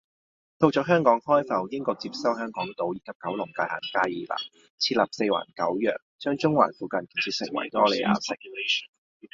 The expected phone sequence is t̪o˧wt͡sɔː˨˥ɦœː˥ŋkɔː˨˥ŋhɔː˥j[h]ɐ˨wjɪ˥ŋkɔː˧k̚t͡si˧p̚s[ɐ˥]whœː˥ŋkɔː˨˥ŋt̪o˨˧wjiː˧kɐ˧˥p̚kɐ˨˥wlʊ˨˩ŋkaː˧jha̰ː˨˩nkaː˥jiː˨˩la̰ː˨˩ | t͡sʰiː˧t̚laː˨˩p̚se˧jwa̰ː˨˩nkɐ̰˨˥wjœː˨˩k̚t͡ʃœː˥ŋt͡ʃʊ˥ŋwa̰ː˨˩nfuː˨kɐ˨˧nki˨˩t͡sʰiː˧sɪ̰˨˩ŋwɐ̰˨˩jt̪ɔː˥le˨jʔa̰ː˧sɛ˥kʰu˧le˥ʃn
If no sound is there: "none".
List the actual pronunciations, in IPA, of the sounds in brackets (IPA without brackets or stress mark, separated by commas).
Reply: f, ɐ˥